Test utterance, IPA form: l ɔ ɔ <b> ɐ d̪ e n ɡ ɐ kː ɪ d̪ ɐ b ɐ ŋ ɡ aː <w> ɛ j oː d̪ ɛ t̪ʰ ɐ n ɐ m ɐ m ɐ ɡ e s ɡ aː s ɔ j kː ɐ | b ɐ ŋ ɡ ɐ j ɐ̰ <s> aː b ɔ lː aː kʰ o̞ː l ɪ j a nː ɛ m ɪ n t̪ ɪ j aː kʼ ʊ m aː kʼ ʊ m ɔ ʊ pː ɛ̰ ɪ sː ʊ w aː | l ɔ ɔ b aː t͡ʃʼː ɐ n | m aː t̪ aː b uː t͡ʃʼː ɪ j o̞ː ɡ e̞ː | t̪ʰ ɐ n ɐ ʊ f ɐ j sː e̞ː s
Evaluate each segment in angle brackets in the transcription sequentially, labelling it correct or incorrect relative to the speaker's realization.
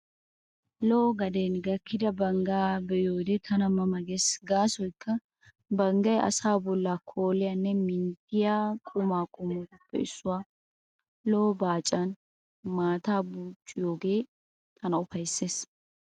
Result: incorrect: ɡ, incorrect: b, correct

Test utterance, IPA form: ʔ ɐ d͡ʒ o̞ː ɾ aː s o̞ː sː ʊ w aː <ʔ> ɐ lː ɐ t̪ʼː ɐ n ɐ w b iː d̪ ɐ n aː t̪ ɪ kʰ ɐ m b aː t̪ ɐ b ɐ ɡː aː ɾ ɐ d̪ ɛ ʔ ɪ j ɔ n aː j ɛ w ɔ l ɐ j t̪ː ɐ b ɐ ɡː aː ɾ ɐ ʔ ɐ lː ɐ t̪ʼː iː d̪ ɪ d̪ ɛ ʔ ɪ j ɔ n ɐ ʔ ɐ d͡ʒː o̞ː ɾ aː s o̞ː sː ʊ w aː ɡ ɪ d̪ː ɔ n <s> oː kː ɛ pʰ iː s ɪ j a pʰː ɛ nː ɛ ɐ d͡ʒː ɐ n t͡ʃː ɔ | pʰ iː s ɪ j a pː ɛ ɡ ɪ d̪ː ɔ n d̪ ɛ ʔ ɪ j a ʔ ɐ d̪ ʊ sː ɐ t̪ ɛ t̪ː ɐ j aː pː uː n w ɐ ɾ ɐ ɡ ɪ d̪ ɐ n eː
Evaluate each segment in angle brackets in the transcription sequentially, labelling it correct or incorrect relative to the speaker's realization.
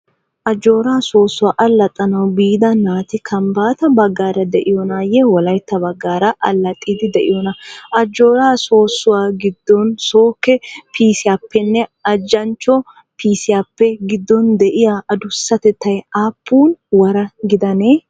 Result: correct, correct

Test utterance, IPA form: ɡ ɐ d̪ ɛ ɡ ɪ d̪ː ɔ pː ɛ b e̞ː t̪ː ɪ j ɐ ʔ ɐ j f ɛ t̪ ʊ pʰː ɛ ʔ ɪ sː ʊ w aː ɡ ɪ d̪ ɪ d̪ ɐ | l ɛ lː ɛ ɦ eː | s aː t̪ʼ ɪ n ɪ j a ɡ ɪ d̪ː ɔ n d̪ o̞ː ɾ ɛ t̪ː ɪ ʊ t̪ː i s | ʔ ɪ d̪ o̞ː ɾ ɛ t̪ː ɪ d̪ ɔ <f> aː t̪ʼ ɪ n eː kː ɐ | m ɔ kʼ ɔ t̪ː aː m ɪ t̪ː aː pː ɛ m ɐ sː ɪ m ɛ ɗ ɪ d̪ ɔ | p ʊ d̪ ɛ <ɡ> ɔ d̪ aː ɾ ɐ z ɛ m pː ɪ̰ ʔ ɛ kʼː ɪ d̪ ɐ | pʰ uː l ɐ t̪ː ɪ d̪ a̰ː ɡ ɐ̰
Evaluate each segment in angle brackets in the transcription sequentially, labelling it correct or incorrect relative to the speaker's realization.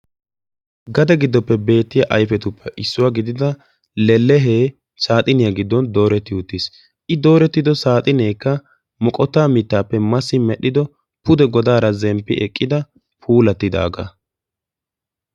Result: incorrect: s, correct

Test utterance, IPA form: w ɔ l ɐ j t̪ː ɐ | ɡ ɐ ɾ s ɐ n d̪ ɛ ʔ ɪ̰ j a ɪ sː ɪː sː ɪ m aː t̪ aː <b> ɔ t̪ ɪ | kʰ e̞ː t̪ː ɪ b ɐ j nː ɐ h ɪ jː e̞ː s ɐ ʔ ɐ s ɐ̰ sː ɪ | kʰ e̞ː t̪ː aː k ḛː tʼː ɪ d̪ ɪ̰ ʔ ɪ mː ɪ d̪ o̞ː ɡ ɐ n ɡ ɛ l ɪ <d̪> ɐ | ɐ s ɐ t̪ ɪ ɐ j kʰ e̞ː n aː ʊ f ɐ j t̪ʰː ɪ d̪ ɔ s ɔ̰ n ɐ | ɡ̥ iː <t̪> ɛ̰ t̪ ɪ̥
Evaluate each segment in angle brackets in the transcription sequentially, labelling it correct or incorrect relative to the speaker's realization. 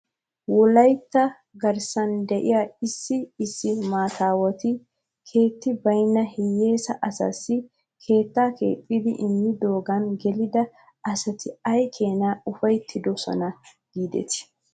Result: incorrect: w, correct, incorrect: d̪

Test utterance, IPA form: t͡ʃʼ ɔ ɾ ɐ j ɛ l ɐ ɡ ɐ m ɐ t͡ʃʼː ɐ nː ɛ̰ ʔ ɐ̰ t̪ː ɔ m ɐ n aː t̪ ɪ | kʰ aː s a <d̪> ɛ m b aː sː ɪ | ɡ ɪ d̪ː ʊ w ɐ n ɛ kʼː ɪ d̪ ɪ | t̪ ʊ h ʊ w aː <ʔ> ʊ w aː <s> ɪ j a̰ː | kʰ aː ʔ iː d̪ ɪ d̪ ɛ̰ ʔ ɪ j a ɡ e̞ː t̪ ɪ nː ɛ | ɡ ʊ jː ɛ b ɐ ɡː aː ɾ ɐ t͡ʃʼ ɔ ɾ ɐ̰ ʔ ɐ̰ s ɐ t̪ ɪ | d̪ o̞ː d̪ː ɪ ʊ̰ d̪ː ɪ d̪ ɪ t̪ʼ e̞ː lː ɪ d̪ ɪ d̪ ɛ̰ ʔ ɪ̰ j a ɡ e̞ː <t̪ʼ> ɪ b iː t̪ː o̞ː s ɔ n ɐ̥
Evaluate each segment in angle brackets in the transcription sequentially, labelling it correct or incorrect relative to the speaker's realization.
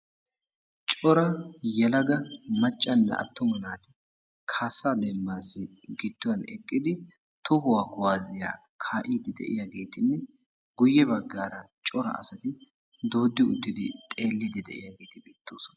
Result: correct, incorrect: k, incorrect: z, incorrect: t̪

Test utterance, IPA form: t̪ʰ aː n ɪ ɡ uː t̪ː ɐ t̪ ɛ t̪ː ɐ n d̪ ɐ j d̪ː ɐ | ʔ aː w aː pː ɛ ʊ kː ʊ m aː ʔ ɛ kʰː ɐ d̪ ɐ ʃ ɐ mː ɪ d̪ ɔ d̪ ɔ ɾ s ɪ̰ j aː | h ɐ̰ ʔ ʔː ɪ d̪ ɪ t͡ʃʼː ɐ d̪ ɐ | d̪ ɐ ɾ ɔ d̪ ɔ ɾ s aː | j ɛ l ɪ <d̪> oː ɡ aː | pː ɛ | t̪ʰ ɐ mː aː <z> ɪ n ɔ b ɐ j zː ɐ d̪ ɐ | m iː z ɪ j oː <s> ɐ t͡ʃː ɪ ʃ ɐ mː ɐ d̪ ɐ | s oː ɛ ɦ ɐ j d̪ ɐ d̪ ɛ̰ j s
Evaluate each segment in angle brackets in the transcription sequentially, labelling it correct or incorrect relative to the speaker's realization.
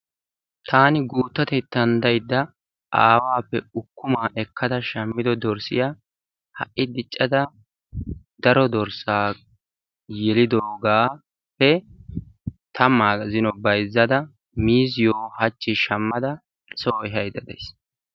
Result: correct, correct, incorrect: h

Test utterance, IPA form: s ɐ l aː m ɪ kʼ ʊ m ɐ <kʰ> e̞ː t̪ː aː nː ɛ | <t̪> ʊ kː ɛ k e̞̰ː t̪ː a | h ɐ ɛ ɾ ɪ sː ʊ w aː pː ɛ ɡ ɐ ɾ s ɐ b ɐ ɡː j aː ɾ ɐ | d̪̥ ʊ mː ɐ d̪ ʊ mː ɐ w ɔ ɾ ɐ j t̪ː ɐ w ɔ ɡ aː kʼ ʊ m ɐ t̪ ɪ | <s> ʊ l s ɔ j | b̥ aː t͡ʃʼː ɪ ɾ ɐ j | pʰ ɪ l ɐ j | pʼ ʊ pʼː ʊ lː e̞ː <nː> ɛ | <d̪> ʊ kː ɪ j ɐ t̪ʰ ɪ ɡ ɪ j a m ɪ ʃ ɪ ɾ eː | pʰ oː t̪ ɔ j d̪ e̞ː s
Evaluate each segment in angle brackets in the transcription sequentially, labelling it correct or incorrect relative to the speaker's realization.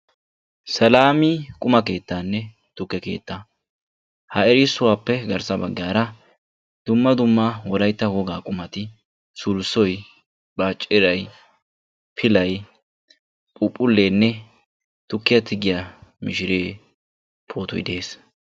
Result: incorrect: k, correct, correct, correct, incorrect: t̪

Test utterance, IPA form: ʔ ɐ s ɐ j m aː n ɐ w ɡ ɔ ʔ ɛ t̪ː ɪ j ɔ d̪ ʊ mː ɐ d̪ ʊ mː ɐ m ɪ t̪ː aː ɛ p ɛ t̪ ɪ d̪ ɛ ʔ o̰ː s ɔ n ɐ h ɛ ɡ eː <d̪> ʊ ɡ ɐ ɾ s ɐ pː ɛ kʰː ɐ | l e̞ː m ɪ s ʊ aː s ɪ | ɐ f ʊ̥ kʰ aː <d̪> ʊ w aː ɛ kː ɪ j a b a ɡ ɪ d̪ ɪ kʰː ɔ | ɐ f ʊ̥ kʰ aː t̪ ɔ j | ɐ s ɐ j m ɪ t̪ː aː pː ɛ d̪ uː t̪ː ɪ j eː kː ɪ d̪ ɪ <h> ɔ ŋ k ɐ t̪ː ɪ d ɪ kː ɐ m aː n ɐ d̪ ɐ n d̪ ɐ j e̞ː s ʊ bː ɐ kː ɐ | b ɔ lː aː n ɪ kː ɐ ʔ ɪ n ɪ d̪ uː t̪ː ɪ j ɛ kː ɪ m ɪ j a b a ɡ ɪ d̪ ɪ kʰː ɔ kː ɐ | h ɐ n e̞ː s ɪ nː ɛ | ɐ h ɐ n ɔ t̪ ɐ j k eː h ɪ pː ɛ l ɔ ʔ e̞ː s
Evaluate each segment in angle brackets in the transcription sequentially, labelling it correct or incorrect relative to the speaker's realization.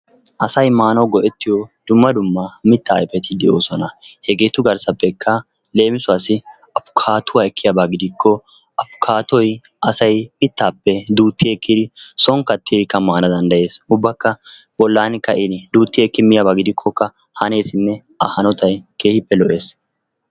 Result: incorrect: t̪, incorrect: t̪, incorrect: s

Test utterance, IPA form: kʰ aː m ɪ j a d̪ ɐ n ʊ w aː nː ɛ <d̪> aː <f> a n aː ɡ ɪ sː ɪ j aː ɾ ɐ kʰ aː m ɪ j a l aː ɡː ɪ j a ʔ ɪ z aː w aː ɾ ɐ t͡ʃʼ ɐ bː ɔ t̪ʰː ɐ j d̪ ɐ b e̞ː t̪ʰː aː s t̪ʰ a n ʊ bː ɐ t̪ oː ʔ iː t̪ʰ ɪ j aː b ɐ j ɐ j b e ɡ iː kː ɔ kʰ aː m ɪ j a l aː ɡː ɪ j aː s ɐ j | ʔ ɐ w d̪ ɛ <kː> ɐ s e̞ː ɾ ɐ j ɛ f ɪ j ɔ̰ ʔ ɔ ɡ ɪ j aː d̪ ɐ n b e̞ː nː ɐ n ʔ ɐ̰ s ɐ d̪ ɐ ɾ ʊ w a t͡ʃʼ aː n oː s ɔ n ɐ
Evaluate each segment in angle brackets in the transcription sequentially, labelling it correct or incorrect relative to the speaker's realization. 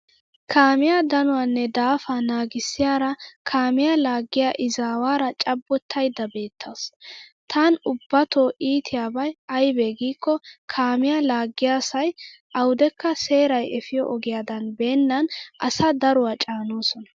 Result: correct, correct, correct

